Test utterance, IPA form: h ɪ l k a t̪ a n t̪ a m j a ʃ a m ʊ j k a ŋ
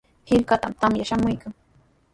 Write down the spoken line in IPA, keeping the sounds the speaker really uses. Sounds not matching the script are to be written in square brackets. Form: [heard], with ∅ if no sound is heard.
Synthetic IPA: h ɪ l k a t̪ a [m] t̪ a m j a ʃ a m ʊ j k a ŋ